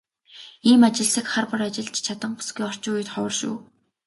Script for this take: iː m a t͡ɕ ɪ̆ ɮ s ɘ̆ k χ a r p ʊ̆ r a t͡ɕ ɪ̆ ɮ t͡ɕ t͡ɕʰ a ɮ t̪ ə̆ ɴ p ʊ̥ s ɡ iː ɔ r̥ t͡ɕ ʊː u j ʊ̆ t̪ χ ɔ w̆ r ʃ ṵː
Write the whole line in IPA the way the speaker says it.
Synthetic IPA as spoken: iː m a t͡ɕ ɪ̆ ɮ s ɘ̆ k χ a r p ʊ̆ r a t͡ɕ ɪ̆ ɮ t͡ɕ t͡ɕʰ a t̪ ə̆ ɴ p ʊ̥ s ɡ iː ɔ r̥ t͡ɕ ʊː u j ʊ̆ t̪ χ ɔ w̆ r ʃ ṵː